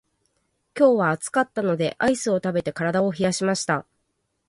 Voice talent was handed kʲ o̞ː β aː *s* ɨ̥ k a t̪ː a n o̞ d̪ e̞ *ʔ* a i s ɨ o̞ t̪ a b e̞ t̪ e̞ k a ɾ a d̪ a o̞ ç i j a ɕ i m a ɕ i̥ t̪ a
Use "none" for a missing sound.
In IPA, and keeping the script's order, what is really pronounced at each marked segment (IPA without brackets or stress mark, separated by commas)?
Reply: t͡s, ʔ